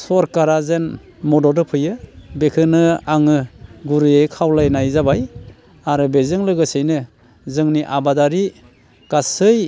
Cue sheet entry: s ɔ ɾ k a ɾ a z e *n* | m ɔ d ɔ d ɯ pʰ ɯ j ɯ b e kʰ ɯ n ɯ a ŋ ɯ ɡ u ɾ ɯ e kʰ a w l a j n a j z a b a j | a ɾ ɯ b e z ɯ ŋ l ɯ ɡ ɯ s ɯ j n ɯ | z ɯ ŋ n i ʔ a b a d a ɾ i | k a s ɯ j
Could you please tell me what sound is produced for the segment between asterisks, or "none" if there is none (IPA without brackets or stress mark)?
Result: n